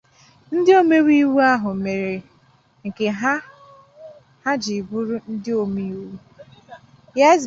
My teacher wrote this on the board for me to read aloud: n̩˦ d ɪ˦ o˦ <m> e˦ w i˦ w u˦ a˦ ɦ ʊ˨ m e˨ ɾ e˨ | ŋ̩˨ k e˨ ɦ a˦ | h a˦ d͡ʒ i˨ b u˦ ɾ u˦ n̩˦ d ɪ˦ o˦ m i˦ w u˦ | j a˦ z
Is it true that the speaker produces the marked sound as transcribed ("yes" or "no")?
yes